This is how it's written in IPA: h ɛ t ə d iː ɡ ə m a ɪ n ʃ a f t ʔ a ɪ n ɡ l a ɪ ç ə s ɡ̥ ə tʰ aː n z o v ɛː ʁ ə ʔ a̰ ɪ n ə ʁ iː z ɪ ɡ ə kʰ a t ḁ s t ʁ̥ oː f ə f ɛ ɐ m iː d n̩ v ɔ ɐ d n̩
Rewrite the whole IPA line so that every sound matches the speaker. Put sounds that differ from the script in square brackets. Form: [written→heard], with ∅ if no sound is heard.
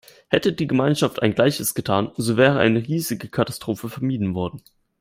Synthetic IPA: h ɛ t ə d iː ɡ ə m a ɪ n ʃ a f t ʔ a ɪ n ɡ l a ɪ ç ə s ɡ̥ ə tʰ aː n z o v ɛː ʁ ə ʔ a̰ ɪ n ə ʁ iː z ɪ ɡ ə kʰ a t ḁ s t ʁ̥ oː f ə f ɛ ɐ m iː d n̩ v ɔ ɐ d n̩

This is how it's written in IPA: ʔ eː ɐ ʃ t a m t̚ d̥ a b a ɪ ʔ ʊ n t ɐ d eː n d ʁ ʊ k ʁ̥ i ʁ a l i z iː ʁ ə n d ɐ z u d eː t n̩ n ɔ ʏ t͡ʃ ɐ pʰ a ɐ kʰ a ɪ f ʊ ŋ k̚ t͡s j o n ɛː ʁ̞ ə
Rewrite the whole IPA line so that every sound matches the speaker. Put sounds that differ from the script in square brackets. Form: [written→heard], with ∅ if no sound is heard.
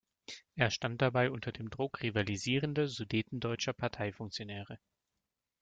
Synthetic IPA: ʔ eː ɐ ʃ t a [m→n] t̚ d̥ a b a ɪ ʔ ʊ n t ɐ d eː [n→m] d ʁ ʊ k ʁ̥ i [ʁ→v] a l i z iː ʁ ə n d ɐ z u d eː t n̩ [n→d] ɔ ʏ t͡ʃ ɐ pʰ a ɐ [kʰ→tʰ] a ɪ f ʊ ŋ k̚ t͡s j o n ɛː ʁ̞ ə

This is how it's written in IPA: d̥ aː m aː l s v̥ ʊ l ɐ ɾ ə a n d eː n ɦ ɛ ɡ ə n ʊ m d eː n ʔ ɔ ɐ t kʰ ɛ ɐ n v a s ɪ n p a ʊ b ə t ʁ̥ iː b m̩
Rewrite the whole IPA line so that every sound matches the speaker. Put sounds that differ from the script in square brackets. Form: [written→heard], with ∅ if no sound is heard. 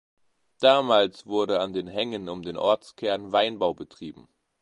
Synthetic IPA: d̥ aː m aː l s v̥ ʊ [l→∅] ɐ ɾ ə a n d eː n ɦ ɛ [ɡ→ŋ] ə n ʊ m d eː n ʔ ɔ ɐ [t→t͡s] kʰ ɛ ɐ n v a [s→∅] ɪ n [p→b] a ʊ b ə t ʁ̥ iː b m̩

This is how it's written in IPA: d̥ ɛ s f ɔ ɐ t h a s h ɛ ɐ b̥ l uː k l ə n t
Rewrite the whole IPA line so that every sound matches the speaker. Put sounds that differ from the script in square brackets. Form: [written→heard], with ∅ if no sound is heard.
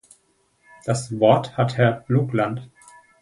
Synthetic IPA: d̥ [ɛ→a] s [f→v] ɔ ɐ t h a [s→t] h ɛ ɐ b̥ l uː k l [ə→a] n t

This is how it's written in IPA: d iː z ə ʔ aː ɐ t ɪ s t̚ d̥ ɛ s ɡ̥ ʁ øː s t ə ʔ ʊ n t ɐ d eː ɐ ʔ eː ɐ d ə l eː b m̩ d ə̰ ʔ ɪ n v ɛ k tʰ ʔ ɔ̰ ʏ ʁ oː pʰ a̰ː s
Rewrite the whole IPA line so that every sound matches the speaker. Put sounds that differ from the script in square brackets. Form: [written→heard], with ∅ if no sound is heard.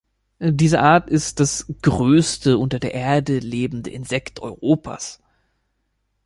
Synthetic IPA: d iː z ə ʔ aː ɐ t ɪ s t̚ d̥ [ɛ→a] s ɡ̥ ʁ øː s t ə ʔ ʊ n t ɐ d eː ɐ ʔ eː ɐ d ə l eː b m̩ d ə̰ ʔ ɪ n [v→z] ɛ k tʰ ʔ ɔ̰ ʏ ʁ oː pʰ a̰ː s

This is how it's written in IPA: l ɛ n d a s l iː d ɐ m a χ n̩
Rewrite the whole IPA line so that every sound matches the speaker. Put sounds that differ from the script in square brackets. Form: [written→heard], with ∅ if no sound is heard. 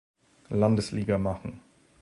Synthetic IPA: l [ɛ→a] n d [a→ə] s l iː [d→ɡ] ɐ m a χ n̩

